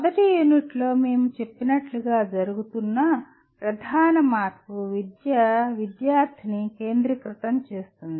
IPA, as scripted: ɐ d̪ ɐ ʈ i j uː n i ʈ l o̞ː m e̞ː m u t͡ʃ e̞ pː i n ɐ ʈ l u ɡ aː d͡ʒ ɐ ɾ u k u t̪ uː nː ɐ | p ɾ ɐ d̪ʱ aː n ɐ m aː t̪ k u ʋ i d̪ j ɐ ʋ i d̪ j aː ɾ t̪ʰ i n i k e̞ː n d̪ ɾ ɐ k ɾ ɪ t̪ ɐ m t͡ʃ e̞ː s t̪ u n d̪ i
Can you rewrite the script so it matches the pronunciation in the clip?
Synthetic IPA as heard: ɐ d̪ ɐ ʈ i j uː n i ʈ l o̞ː m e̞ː m u t͡ʃ e̞ pː i n ɐ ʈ l u ɡ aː d͡ʒ ɐ ɾ u ɡ u t̪ u nː ɐ | p ɾ ɐ d̪ʱ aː n ɐ m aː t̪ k u ʋ i d̪ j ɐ ʋ i d̪ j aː ɾ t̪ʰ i n i k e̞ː n d̪ ɾ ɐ k ɾ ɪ t̪ ɐ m t͡ʃ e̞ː s t̪ u n d̪ i